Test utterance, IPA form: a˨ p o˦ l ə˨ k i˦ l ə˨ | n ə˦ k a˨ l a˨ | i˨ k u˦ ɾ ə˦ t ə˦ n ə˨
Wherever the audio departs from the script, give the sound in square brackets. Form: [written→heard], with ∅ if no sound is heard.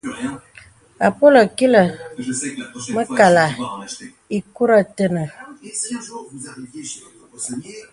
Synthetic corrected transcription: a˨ p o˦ l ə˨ k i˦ l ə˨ | [n→m] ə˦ k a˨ l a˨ | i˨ k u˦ ɾ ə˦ t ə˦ n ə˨